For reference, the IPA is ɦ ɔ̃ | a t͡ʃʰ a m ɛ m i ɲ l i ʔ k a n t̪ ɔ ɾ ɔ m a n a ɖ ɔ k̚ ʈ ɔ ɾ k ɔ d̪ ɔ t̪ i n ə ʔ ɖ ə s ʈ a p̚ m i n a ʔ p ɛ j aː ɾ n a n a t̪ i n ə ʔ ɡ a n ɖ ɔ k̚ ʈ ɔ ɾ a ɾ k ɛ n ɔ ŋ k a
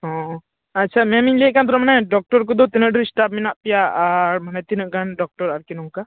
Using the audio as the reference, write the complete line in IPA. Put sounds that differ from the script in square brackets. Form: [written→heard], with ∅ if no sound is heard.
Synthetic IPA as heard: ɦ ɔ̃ | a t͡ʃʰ a m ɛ m i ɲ l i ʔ k a n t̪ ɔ ɾ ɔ m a n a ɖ ɔ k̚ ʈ ɔ ɾ k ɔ d̪ ɔ t̪ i n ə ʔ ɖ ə s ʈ a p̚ m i n a ʔ p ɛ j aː ɾ [n→m] a n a t̪ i n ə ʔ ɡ a n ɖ ɔ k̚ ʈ ɔ ɾ a ɾ k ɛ n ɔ ŋ k a